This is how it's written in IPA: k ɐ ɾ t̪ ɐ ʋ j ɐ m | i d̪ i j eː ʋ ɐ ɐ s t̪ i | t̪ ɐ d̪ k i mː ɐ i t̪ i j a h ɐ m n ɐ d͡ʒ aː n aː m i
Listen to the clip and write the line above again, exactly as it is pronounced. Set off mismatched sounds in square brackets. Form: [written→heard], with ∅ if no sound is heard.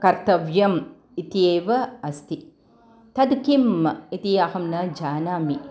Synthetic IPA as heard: k ɐ ɾ t̪ ɐ ʋ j ɐ m | i [d̪→t̪] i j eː ʋ ɐ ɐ s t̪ i | t̪ ɐ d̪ k i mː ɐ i t̪ i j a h ɐ m n ɐ d͡ʒ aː n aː m i